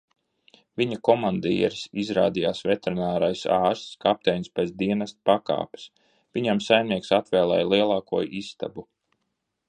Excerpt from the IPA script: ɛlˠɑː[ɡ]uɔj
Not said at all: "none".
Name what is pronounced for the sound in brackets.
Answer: k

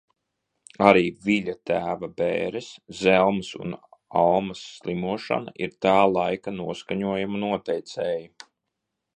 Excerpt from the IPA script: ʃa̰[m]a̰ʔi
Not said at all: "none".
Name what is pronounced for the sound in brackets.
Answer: n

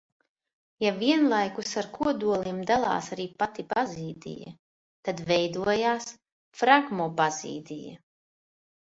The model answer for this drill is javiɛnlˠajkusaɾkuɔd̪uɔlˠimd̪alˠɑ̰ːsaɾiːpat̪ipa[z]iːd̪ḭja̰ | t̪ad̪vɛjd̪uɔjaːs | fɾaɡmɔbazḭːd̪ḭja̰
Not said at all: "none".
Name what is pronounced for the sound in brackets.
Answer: z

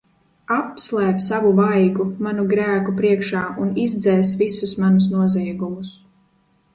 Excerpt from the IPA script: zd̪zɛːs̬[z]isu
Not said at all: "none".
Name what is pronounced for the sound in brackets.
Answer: v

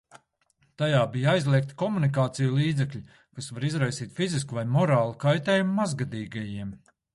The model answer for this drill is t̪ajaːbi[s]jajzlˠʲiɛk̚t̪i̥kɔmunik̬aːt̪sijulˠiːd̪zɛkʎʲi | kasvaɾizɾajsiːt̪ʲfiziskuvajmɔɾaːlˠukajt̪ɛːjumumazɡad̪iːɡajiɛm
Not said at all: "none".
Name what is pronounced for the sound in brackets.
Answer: none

